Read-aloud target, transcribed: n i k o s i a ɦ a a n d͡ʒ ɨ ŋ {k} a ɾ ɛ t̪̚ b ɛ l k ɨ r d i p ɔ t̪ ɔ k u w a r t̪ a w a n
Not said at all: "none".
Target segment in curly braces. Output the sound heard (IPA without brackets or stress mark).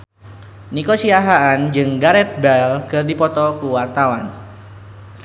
ɡ